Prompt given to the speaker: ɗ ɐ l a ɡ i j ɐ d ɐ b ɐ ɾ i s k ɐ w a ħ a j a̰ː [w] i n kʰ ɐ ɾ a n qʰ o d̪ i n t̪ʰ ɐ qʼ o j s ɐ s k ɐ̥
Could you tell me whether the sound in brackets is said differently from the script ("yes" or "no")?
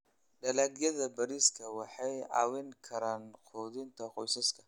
no